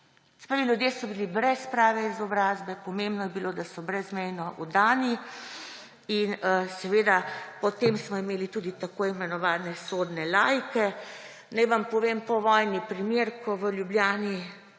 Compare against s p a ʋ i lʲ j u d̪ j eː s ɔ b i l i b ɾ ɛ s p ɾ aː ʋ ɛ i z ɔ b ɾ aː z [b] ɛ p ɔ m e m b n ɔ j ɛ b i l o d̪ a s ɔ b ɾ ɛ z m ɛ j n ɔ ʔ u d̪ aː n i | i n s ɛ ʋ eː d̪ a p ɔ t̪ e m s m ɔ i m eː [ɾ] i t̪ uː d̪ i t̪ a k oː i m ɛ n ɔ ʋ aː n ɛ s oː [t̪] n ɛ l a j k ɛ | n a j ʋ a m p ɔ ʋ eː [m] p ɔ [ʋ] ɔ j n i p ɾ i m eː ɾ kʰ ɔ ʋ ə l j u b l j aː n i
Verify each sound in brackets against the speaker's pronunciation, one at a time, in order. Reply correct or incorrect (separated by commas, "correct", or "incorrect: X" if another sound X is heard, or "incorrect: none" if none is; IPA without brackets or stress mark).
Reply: correct, incorrect: l, incorrect: d̪, correct, correct